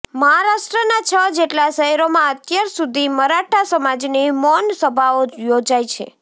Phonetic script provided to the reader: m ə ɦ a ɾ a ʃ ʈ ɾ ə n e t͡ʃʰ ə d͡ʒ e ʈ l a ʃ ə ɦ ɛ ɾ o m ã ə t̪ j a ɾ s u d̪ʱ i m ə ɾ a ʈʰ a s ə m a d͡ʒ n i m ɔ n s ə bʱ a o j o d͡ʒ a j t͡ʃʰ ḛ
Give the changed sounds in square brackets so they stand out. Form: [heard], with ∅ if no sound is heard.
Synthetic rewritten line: m ə ɦ a ɾ a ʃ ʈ ɾ ə n [a] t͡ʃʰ ə d͡ʒ e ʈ l a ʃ ə ɦ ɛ ɾ o m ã ə t̪ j a ɾ s u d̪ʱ i m ə ɾ a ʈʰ a s ə m a d͡ʒ n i m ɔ n s ə bʱ a o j o d͡ʒ a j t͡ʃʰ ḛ